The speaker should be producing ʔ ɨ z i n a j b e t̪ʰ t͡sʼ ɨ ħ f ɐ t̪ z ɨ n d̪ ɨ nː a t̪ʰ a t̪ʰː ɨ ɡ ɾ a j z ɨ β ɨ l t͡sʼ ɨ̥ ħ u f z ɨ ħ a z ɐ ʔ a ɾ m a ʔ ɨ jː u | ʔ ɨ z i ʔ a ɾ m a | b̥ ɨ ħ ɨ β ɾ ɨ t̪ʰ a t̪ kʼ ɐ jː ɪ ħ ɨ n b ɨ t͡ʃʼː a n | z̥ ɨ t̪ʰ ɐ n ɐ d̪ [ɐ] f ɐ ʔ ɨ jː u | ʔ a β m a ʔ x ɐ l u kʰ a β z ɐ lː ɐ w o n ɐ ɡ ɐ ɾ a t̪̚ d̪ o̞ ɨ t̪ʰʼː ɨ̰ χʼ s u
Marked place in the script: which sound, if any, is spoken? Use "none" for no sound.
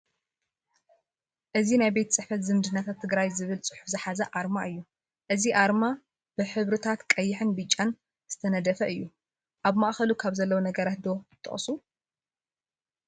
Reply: ɐ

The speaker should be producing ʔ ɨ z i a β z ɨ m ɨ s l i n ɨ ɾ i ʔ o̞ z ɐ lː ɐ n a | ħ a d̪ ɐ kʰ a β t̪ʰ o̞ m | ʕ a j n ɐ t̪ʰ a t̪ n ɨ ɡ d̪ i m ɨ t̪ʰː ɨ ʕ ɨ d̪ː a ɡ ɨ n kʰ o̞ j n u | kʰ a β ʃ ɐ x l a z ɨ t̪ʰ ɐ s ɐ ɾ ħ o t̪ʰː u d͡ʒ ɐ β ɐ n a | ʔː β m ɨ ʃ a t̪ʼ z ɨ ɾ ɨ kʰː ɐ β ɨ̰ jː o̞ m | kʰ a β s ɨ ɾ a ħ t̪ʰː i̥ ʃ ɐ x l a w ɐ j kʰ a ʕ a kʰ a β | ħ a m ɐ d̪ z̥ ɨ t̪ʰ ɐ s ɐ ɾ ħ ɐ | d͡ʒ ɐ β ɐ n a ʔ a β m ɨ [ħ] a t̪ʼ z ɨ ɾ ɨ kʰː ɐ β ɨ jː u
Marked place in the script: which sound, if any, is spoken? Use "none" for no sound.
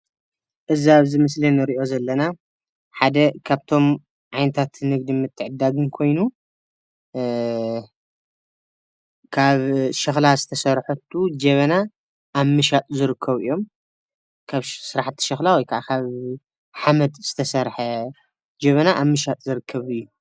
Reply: ʃ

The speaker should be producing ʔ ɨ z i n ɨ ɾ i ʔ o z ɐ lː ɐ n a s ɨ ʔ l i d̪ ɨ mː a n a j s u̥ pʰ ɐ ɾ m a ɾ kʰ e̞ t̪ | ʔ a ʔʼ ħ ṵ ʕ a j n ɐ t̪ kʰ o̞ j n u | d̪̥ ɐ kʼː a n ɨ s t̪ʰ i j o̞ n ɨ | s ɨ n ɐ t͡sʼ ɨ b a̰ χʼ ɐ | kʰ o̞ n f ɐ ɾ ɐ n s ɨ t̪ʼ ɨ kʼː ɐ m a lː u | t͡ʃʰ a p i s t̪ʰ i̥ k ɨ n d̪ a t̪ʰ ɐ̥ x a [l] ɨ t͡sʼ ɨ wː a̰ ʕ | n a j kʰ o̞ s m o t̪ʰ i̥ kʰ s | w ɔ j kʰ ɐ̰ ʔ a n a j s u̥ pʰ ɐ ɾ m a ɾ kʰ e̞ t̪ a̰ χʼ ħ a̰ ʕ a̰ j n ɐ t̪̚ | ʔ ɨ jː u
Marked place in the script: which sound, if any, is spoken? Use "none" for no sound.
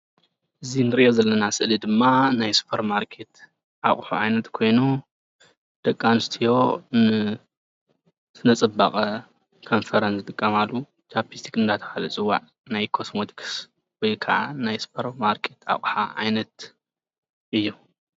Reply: l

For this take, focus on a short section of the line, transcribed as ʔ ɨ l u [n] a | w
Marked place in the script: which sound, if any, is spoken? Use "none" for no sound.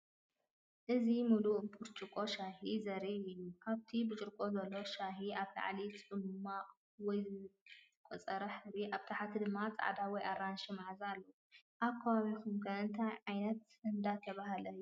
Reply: m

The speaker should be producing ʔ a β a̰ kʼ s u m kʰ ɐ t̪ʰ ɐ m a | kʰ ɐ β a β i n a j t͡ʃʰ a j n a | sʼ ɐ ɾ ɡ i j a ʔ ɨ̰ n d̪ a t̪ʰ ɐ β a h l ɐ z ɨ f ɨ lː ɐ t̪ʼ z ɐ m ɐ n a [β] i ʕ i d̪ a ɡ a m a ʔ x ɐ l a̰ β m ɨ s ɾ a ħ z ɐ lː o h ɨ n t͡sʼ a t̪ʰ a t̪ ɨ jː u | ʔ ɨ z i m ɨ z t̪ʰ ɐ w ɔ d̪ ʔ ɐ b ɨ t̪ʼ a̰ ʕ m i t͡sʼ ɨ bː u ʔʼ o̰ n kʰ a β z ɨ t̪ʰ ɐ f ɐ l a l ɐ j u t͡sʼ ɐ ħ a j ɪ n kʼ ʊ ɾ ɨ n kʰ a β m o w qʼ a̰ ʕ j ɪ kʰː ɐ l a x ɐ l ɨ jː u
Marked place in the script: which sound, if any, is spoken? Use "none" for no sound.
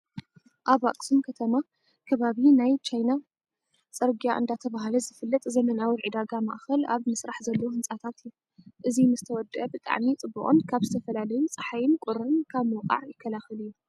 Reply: w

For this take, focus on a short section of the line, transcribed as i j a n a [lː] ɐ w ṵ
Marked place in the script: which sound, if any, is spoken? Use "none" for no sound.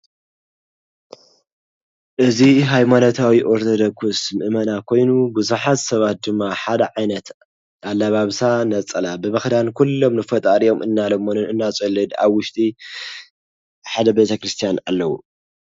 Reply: lː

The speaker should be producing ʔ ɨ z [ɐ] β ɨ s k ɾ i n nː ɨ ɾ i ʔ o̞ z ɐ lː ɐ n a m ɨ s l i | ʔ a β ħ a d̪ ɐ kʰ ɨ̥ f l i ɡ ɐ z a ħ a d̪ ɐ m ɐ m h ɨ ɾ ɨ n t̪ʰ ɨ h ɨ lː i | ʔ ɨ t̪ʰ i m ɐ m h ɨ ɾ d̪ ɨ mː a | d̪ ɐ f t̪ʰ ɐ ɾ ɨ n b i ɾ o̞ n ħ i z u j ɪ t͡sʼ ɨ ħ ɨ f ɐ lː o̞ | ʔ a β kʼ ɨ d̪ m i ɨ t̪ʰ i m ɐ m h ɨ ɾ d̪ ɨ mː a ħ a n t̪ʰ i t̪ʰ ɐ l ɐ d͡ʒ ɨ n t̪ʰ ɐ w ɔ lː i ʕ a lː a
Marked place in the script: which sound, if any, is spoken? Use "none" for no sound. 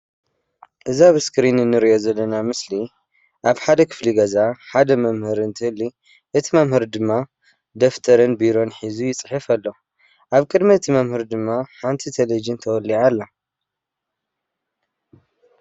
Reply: a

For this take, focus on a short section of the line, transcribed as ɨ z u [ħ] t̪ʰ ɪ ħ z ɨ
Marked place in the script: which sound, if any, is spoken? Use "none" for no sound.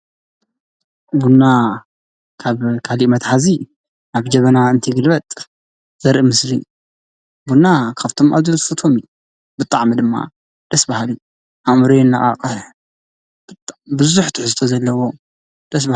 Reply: ħ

